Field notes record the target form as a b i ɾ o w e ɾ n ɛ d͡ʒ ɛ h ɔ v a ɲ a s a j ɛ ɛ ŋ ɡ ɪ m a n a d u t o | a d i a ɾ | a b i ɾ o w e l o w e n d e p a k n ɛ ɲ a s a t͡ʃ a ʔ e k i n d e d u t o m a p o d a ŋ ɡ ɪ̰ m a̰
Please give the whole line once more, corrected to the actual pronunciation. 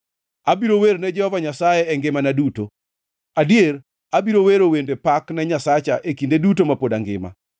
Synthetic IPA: a b i ɾ o w e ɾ n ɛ d͡ʒ ɛ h ɔ v a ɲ a s a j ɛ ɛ ŋ ɡ ɪ m a n a d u t o | a d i e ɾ | a b i ɾ o w e ɾ o w e n d e p a k n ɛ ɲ a s a t͡ʃ a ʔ e k i n d e d u t o m a p o d a ŋ ɡ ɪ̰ m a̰